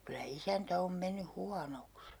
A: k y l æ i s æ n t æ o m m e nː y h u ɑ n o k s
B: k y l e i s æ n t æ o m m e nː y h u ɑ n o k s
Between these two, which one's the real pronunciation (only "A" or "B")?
A